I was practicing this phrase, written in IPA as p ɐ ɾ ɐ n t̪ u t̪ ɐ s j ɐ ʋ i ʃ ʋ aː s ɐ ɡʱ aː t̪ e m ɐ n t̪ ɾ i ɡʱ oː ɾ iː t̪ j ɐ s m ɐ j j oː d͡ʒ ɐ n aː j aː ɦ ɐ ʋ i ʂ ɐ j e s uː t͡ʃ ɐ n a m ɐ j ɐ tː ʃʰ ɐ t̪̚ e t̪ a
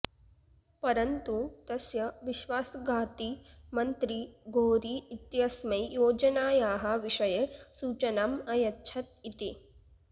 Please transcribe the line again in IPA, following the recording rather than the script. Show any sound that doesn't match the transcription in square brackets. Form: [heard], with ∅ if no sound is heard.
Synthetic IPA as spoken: p ɐ ɾ ɐ n t̪ u t̪ ɐ s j ɐ ʋ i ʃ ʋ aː s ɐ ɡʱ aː t̪ [i] m ɐ n t̪ ɾ i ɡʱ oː ɾ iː t̪ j ɐ s m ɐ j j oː d͡ʒ ɐ n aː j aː ɦ ɐ ʋ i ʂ ɐ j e s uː t͡ʃ ɐ n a m ɐ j ɐ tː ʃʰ ɐ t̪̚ [i] t̪ [i]